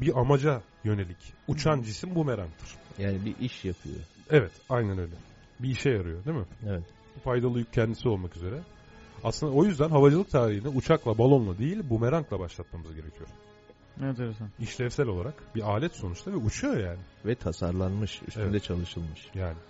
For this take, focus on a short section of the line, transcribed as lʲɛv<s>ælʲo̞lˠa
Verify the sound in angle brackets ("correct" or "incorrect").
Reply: correct